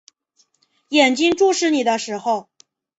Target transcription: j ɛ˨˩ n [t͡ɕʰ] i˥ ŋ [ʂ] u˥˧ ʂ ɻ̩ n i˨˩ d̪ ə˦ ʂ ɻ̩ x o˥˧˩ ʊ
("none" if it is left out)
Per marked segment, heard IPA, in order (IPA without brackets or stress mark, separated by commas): t͡ɕ, ʈ͡ʂ